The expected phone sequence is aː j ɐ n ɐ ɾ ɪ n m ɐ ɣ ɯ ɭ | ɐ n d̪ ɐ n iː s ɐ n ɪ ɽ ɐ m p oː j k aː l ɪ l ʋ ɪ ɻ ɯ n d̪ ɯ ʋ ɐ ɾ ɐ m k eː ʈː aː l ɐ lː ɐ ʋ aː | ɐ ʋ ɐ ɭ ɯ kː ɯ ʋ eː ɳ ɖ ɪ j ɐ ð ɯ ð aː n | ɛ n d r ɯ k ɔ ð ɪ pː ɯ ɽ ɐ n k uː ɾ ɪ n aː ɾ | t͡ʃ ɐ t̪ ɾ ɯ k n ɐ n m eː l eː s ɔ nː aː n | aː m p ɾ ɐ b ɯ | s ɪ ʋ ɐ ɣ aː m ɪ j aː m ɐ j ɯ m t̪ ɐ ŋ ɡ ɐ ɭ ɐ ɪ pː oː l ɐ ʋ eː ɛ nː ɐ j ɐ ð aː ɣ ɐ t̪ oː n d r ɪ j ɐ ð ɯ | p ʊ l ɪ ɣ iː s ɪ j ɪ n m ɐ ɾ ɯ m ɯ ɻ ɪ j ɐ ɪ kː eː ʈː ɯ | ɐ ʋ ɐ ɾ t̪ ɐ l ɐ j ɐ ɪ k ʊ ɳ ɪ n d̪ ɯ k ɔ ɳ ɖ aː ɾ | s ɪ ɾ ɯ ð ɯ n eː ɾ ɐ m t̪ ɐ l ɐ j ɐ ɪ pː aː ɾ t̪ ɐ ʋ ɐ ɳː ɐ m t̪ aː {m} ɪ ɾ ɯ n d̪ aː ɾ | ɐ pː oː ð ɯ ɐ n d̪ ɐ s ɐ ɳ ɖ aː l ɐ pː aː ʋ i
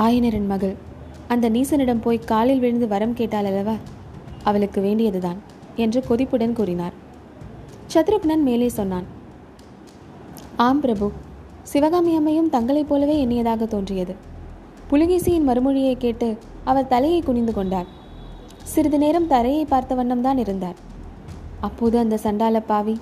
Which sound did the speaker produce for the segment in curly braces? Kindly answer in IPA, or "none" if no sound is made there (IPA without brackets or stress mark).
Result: n